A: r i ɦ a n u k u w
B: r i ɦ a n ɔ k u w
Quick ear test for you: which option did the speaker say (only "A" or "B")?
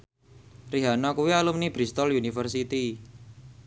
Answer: B